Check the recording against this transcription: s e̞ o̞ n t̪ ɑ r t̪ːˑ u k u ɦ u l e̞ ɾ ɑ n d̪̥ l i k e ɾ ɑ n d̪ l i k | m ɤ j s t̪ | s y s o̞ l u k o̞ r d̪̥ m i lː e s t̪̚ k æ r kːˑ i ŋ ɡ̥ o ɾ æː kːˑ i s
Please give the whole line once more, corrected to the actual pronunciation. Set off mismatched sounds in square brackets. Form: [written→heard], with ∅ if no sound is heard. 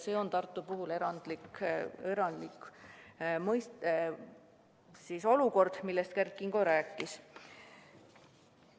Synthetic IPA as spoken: s e̞ o̞ n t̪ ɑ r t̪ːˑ u [k→p] u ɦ u l e̞ ɾ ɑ n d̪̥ l i k e ɾ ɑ n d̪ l i k | m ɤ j s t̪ | s [y→i] s o̞ l u k o̞ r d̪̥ m i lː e s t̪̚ k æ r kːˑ i ŋ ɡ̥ o ɾ æː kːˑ i s